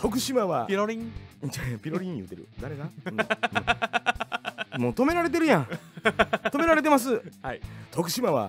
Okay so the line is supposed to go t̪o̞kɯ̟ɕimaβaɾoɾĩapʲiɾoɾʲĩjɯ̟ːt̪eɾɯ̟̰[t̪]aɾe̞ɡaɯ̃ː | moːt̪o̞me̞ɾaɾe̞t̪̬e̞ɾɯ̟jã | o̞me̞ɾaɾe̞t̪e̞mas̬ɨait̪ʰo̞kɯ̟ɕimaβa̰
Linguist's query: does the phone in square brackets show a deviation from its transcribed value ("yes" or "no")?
yes